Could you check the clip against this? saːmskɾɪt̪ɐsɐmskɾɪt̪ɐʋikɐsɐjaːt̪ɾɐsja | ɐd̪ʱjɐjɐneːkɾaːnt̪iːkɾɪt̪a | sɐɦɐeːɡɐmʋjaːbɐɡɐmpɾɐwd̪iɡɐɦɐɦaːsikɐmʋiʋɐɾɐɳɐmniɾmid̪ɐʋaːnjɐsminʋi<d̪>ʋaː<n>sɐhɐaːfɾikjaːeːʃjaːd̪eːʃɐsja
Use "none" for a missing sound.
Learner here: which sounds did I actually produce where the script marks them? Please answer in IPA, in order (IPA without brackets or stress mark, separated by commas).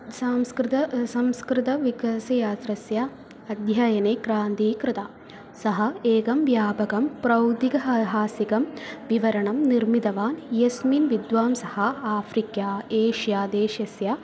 d̪, m